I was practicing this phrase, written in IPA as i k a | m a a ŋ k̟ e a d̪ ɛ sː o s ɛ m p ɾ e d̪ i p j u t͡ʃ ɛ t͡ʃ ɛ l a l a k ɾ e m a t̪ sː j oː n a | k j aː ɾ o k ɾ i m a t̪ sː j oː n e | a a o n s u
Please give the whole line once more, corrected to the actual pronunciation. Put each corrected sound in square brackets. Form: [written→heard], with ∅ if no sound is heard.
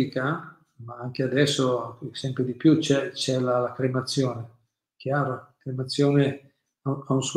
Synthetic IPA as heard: i k a | m a a ŋ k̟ e a d̪ ɛ sː o s ɛ m p ɾ e d̪ i p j u t͡ʃ ɛ t͡ʃ ɛ l a l a k ɾ e m a t̪ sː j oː n [a→e] | k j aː ɾ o k ɾ [i→e] m a t̪ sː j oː n e | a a [o→u] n s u